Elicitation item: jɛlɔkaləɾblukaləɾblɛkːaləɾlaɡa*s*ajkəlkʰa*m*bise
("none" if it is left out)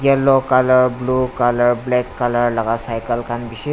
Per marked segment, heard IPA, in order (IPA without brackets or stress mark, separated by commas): s, n